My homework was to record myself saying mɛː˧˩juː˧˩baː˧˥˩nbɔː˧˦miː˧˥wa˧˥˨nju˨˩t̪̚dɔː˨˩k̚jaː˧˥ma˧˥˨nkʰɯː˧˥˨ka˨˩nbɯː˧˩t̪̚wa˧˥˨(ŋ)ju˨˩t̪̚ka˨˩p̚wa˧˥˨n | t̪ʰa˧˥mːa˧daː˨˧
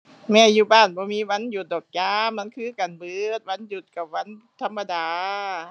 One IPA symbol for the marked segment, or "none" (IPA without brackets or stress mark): n